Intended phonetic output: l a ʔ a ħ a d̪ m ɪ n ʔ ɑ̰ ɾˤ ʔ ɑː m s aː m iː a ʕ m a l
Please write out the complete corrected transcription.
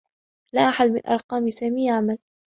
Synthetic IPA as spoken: l a ʔ a ħ a d̪ m ɪ n ʔ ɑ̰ ɾˤ q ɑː m s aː m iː a ʕ m a l